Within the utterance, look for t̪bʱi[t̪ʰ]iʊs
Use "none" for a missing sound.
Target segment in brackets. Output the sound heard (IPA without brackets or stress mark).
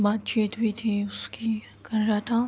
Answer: t̪ʰ